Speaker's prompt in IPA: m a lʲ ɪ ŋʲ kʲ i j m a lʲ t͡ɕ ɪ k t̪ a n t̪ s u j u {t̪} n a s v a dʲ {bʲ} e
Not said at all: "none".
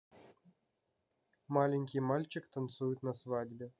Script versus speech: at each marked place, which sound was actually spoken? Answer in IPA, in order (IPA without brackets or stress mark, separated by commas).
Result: t̪, bʲ